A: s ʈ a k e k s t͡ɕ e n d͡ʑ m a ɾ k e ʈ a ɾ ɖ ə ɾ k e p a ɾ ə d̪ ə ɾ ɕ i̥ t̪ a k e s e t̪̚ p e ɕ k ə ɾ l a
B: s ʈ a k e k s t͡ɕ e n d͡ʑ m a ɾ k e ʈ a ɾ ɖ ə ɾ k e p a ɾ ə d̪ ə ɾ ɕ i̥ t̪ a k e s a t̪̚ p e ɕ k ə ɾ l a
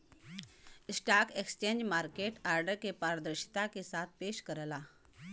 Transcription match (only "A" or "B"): B